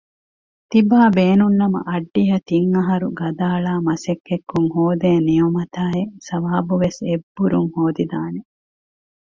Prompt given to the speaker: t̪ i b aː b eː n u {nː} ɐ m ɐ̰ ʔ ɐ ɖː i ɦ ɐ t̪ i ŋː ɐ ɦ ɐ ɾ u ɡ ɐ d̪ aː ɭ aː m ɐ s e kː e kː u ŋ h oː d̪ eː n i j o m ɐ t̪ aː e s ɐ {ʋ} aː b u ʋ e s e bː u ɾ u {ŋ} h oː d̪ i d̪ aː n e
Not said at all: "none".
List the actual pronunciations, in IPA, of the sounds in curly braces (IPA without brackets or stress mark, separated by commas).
nː, ʋ, ŋ